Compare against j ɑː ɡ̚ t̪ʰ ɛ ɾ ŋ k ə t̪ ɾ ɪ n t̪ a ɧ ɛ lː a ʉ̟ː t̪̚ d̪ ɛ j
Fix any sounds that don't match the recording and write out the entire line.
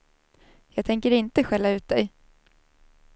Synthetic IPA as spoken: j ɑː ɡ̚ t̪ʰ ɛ ŋ k ə ɾ ɪ n t̪ ə ɧ ɛ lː a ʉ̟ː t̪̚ d̪ ɛ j